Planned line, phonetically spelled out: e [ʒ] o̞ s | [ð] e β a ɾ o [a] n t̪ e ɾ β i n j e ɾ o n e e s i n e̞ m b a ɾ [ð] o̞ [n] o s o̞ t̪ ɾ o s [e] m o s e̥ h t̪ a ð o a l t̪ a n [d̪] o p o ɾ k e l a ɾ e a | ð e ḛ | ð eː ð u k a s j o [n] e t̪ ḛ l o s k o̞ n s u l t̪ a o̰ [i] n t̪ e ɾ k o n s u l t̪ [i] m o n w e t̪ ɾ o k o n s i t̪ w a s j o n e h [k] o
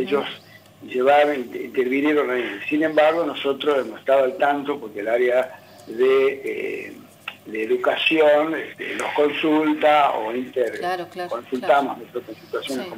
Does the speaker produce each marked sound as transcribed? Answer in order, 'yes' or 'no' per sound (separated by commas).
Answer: yes, no, no, no, yes, yes, no, yes, yes, no, yes